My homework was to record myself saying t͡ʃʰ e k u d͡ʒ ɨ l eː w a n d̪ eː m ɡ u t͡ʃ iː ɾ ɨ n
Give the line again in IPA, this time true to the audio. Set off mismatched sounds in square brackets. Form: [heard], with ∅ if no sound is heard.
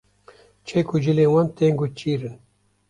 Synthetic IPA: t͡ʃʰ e k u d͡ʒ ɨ l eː w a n [t̪] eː [ŋ] ɡ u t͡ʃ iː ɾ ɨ n